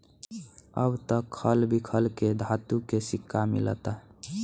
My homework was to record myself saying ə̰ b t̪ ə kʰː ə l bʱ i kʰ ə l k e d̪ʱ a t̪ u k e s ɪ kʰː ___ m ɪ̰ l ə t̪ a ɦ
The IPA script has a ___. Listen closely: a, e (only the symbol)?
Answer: a